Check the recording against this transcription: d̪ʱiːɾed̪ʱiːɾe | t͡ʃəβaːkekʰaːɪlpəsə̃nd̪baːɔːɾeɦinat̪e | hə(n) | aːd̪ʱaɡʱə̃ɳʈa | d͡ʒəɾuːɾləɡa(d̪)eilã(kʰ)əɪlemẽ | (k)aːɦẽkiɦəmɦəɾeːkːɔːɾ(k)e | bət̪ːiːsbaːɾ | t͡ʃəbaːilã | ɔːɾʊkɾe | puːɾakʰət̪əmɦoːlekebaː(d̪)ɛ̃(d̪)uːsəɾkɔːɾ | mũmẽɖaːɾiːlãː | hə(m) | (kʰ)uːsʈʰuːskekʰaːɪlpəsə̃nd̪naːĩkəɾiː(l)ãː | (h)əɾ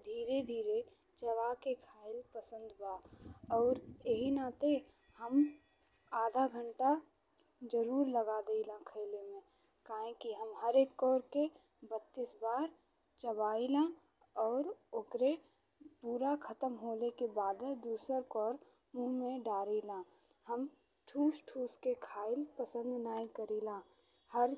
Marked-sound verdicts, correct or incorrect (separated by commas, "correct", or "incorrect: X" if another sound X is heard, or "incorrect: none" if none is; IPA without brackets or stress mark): incorrect: m, correct, correct, correct, correct, correct, correct, correct, incorrect: ʈʰ, correct, correct